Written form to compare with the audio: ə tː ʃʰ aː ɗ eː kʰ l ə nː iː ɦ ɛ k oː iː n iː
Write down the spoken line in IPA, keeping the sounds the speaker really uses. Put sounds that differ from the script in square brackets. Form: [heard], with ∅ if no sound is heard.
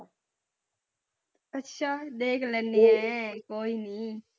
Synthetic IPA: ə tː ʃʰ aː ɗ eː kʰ l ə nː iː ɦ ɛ k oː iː n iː